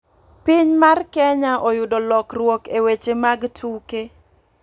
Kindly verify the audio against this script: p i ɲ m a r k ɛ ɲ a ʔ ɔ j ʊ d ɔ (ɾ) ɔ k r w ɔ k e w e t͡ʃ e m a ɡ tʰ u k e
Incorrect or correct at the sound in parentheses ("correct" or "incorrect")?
incorrect